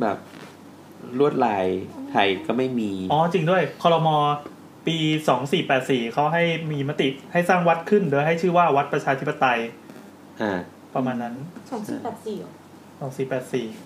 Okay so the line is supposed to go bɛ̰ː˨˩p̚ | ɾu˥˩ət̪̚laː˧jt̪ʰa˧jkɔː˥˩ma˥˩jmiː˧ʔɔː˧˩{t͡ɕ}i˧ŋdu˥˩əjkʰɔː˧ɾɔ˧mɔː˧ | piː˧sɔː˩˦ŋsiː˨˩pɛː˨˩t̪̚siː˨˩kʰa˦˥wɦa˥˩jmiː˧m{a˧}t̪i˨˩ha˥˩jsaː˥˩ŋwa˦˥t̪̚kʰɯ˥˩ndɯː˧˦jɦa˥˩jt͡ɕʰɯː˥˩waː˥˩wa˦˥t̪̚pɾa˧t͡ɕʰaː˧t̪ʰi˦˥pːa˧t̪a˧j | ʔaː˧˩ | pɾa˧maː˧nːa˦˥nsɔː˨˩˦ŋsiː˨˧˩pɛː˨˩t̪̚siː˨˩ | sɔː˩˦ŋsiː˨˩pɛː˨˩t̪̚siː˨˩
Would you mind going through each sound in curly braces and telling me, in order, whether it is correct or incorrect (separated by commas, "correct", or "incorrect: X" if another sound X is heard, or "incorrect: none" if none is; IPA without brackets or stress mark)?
correct, incorrect: a˦˥